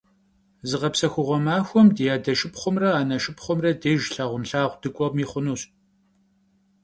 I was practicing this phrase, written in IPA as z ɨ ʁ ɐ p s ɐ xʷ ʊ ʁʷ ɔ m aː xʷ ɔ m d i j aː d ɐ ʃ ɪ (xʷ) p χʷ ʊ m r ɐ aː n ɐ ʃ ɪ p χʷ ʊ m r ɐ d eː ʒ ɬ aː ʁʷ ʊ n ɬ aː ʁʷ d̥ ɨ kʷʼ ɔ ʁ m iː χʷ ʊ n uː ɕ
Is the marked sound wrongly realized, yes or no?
yes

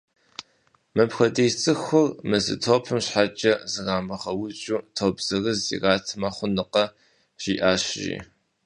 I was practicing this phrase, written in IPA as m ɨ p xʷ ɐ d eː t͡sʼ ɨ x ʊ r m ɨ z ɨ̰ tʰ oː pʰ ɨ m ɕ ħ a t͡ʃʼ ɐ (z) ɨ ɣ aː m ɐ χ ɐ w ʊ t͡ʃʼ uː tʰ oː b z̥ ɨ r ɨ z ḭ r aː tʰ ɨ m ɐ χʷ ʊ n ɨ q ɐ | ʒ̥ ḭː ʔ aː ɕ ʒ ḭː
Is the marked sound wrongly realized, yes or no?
no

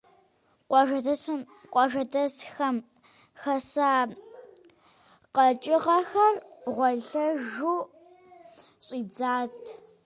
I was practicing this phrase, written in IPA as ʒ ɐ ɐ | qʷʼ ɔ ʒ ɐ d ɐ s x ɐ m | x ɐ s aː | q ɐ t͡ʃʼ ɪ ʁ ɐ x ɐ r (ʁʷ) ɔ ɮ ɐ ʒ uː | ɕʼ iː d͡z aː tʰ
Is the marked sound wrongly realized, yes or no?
no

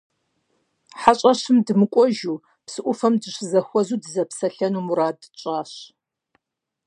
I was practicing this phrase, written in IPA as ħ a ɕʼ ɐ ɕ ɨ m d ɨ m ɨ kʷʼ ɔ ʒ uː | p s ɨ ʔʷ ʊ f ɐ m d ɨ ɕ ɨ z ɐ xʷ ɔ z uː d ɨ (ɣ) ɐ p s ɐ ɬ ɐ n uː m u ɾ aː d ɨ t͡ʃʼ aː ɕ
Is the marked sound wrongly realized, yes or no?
yes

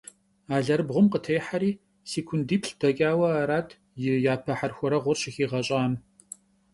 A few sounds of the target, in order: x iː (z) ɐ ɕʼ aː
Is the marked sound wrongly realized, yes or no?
yes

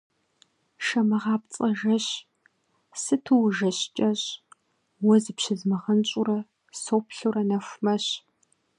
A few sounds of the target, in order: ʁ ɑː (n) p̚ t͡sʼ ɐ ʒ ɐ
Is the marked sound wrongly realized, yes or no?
yes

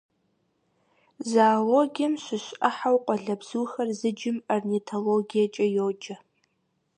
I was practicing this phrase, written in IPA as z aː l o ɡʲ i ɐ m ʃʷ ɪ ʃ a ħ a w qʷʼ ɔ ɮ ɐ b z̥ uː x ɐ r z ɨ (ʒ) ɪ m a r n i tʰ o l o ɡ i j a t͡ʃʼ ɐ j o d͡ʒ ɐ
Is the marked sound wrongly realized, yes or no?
yes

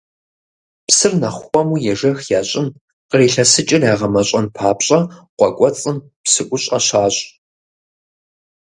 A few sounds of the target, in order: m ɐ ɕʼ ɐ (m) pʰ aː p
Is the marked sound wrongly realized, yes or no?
yes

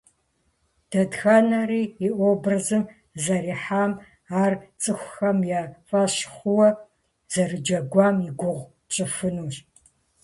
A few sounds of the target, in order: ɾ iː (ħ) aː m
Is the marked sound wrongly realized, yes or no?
no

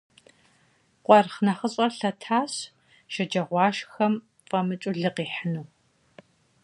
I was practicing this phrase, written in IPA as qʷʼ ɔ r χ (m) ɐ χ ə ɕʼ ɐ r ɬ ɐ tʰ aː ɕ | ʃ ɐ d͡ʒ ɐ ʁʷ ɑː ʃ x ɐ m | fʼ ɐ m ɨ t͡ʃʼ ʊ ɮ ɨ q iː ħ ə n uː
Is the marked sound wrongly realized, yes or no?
yes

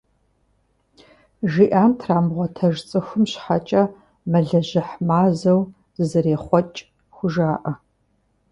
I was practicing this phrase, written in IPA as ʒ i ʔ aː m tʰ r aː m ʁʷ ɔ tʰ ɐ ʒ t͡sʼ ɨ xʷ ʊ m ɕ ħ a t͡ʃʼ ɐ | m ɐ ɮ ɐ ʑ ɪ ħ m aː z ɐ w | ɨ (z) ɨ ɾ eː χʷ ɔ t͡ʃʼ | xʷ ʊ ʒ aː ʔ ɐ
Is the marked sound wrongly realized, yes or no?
no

